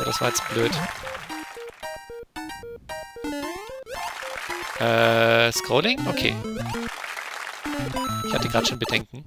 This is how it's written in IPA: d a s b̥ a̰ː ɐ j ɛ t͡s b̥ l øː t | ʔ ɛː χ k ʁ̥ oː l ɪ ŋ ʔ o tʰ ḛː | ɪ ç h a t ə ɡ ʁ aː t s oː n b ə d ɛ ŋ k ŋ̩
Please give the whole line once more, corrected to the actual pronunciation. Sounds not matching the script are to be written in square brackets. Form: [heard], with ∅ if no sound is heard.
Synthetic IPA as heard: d a s [v̥] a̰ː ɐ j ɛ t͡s b̥ l øː t | ʔ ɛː [s] k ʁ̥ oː l ɪ ŋ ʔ o [kʰ] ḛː | ɪ ç h a t ə ɡ ʁ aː t [ʃ] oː n b ə d ɛ ŋ k ŋ̩